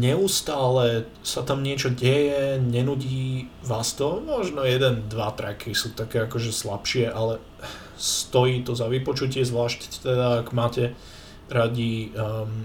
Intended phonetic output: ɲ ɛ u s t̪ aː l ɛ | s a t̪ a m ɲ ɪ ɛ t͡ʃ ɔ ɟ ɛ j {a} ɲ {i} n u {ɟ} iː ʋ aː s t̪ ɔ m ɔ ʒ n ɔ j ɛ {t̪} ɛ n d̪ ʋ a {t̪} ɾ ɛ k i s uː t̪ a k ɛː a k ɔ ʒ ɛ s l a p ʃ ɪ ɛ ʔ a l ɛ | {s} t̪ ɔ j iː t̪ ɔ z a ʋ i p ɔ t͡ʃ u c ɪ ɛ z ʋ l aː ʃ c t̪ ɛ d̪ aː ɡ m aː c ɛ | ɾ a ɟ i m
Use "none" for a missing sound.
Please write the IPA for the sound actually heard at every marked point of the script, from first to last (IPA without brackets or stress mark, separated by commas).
ɛ, ɛ, ɟ, d̪, t̪, s